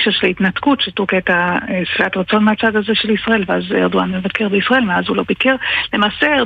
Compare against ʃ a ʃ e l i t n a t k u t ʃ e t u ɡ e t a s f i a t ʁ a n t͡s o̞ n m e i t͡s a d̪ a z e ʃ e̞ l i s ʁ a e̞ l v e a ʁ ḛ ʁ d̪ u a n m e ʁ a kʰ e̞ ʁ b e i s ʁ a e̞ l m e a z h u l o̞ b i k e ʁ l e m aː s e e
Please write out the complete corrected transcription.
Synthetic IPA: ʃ a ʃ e l i t n a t k u t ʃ e t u k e t a s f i a t ʁ a t͡s o̞ n m e a t͡s a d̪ a z e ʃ e̞ l i s ʁ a e̞ l v e a z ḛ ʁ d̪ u a n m e v a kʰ e̞ ʁ b e i s ʁ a e̞ l m e a z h u l o̞ b i k e ʁ l e m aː s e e